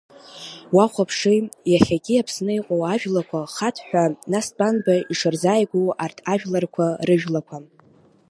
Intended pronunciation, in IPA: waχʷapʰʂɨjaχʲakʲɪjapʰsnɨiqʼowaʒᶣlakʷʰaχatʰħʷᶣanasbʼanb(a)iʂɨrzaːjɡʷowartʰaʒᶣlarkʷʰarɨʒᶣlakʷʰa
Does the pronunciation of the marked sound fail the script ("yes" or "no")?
no